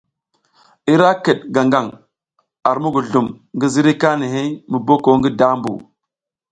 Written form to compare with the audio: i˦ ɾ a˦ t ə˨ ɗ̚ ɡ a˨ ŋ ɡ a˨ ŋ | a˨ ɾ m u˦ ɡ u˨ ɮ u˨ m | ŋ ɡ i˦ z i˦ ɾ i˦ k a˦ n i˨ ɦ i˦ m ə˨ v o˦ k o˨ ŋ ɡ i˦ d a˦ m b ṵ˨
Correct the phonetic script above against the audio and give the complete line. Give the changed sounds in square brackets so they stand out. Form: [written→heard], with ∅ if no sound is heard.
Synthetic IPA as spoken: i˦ ɾ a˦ [t→k] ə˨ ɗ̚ ɡ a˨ ŋ ɡ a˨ ŋ | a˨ ɾ m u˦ ɡ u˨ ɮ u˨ m | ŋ ɡ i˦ z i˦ ɾ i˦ k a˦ n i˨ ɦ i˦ m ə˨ [v→b] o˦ k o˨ ŋ ɡ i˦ d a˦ m b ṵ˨

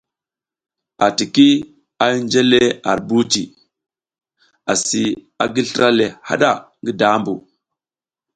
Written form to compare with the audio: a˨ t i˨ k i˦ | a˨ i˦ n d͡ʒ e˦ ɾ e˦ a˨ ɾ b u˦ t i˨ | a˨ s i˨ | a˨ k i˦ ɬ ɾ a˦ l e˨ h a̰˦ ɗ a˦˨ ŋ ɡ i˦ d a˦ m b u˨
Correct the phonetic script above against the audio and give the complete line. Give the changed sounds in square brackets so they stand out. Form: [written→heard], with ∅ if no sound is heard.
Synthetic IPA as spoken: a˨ t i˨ k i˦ | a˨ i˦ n d͡ʒ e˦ [ɾ→l] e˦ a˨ ɾ b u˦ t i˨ | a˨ s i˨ | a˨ [k→ɡ] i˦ ɬ ɾ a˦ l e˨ h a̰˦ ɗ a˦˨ ŋ ɡ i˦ d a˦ m b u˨

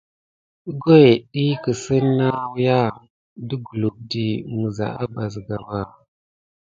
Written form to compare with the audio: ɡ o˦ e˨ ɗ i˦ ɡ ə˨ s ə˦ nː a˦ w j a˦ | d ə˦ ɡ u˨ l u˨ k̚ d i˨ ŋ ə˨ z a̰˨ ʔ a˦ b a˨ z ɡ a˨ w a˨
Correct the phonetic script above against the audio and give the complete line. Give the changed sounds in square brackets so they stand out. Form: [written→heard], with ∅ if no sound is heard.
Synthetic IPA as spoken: ɡ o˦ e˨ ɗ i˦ [ɡ→k] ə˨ s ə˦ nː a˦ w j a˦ | d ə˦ ɡ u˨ l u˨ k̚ d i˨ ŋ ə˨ z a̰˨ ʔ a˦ b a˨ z ɡ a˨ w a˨

